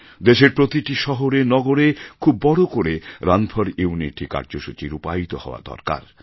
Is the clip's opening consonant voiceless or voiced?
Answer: voiced